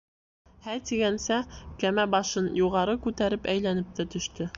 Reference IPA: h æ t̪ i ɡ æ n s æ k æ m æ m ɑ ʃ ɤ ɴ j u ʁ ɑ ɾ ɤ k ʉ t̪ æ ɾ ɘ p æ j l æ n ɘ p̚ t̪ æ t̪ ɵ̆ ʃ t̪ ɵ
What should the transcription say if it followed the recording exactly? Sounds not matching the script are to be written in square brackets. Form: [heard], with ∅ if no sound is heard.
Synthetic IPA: h æ t̪ i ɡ æ n s æ k æ m æ [b] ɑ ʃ ɤ [n] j u ʁ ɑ ɾ ɤ k ʉ t̪ æ ɾ ɘ p æ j l æ n ɘ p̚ t̪ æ t̪ ɵ̆ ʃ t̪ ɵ